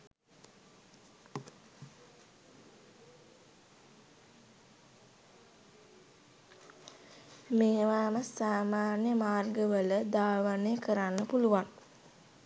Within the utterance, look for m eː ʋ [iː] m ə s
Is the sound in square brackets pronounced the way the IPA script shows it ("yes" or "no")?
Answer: no